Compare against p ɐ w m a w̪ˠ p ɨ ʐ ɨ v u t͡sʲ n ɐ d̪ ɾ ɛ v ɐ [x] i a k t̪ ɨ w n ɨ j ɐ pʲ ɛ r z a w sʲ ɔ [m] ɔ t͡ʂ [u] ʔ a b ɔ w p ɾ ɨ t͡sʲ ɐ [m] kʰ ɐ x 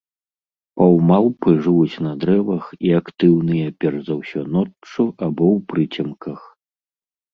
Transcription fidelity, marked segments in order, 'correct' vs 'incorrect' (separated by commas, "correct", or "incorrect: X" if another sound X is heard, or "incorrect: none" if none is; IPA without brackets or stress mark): correct, incorrect: n, correct, correct